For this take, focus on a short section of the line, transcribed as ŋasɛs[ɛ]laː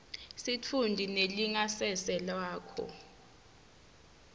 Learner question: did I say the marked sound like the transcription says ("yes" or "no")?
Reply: yes